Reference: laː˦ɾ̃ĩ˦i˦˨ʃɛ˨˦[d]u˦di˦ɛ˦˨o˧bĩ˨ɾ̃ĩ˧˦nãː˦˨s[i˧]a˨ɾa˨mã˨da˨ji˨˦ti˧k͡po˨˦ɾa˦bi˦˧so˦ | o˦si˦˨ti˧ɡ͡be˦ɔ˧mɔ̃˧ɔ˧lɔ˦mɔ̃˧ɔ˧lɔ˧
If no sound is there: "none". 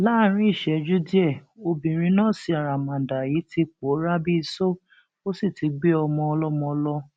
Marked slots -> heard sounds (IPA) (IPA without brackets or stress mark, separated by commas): d͡ʒ, i˧